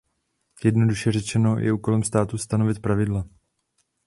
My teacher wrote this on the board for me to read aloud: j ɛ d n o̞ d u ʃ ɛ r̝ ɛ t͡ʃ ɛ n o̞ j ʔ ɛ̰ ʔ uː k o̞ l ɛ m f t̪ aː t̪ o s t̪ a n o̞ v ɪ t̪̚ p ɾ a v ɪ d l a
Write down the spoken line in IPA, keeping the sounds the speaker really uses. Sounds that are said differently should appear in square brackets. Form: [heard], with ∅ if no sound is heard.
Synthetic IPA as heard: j ɛ d n o̞ d u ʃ ɛ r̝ ɛ t͡ʃ ɛ n o̞ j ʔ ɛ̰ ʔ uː k o̞ l ɛ m [s] t̪ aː t̪ [u] s t̪ a n o̞ v ɪ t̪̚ p ɾ a v ɪ d l a